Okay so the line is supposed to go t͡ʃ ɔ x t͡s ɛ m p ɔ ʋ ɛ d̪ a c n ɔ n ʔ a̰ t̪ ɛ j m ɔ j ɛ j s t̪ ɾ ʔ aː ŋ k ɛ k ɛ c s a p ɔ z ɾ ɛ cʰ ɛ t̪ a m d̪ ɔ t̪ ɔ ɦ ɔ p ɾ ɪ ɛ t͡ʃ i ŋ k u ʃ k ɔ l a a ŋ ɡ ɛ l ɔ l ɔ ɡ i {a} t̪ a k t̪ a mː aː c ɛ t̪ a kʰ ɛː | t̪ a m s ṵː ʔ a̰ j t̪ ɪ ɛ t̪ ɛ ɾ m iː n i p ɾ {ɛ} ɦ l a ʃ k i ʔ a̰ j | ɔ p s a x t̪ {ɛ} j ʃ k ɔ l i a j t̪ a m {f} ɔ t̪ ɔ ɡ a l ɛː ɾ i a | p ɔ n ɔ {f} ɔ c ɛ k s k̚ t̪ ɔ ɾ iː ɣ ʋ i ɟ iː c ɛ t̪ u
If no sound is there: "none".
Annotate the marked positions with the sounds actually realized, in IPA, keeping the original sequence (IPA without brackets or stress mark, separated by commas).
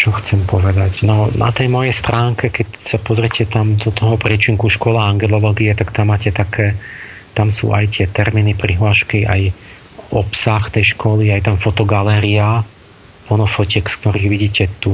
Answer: ɛ, i, ɛ, f, f